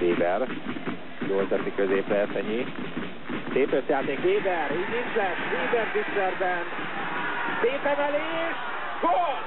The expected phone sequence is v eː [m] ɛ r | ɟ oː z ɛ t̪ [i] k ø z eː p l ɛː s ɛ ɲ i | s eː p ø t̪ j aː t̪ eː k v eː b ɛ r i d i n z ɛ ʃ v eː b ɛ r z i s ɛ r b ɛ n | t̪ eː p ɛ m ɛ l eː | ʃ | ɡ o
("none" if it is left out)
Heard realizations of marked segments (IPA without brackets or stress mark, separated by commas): b, i